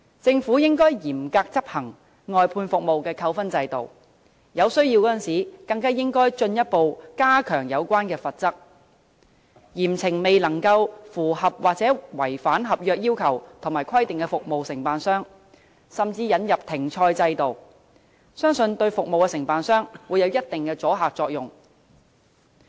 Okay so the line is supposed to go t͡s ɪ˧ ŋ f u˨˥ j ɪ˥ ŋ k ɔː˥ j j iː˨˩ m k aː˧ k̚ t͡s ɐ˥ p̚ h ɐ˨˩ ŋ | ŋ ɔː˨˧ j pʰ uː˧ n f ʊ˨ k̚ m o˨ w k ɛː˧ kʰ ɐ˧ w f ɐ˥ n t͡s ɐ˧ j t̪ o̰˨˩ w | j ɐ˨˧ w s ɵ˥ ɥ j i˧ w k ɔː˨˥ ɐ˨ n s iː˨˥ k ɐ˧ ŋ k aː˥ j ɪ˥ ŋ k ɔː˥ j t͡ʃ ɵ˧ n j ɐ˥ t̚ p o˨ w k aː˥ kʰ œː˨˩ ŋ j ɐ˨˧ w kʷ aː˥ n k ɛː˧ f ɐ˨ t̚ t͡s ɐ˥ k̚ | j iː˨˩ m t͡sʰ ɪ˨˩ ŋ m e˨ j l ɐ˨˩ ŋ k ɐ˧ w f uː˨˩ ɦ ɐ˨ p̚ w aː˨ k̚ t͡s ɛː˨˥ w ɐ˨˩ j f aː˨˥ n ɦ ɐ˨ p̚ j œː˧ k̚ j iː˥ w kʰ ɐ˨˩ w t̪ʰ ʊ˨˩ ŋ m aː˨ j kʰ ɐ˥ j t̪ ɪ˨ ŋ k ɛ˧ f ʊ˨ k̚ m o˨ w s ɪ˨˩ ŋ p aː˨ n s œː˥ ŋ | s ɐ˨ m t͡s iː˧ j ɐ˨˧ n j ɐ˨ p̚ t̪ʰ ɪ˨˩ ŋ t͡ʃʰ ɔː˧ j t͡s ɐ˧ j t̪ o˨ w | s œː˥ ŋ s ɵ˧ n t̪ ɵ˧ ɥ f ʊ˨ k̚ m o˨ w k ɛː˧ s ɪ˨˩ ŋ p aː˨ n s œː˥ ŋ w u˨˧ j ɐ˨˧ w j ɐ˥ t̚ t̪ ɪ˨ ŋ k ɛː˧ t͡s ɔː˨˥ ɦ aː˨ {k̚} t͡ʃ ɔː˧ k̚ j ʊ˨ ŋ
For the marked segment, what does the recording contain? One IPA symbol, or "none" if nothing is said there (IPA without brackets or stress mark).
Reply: k̚